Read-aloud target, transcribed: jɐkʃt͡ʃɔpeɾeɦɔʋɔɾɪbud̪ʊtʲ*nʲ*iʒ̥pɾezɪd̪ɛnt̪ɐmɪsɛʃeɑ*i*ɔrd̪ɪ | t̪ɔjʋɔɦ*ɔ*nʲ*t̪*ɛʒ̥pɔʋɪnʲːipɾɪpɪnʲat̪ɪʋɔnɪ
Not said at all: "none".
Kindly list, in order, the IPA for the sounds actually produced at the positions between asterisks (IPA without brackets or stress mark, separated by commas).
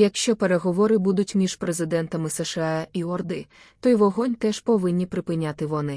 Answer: mʲ, i, ɔ, t̪